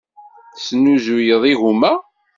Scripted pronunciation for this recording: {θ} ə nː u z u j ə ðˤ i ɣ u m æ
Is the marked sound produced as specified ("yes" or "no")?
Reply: no